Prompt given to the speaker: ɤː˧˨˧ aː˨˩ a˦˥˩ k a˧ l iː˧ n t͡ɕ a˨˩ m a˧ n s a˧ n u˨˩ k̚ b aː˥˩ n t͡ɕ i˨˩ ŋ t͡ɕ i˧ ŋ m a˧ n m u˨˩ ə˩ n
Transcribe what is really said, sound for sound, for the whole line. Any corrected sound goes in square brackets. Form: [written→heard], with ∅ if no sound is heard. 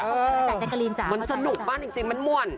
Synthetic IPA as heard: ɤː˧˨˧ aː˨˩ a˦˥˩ k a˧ l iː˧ n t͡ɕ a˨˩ m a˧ n s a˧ n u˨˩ k̚ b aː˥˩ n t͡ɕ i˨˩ ŋ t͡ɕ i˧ ŋ m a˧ n m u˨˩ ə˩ n